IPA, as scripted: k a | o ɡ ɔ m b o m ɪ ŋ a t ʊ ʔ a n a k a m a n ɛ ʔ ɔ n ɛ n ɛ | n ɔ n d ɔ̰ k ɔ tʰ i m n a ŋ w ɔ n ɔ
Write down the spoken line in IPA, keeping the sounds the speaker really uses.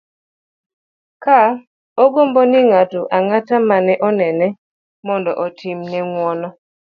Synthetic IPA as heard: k a | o ɡ o m b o n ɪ ŋ a t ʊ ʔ a ŋ a t a m a n ɛ ʔ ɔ n ɛ n ɛ | m ɔ n d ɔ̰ ʔ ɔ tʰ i m n ɛ ŋ w ɔ n ɔ